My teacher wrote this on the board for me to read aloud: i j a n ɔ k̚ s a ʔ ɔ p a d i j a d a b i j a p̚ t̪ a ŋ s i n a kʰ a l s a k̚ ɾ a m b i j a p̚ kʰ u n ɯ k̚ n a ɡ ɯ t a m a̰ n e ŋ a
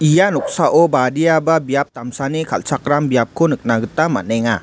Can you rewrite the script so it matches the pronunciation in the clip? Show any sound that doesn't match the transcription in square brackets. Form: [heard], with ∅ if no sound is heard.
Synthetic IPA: i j a n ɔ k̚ s a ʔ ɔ [b] a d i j a [b] a b i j a p̚ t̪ a [m] s [a] n [i] kʰ a l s a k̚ ɾ a m b i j a p̚ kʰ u n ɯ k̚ n a ɡ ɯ t a m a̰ n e ŋ a